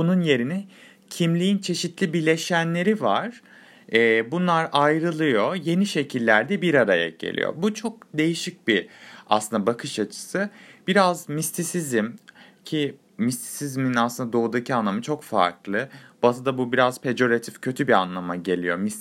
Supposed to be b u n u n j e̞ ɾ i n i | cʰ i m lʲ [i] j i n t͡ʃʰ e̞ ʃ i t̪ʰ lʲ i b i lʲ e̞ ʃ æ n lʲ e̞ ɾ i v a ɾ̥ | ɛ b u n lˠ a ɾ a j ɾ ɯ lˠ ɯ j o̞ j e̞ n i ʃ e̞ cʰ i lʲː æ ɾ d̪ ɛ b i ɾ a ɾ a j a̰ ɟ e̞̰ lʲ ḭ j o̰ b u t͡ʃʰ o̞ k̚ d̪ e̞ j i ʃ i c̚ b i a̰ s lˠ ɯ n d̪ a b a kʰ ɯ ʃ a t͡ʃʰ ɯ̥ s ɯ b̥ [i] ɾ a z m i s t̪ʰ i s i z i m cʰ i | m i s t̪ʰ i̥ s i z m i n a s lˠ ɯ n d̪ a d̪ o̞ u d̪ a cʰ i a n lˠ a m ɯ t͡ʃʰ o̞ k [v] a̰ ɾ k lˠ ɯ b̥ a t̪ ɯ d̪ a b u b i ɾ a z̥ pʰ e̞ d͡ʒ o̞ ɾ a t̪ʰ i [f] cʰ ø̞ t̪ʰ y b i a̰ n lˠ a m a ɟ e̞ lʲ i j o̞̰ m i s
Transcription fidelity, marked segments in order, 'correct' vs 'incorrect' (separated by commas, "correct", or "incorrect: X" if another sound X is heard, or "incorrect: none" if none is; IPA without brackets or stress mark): correct, correct, incorrect: f, correct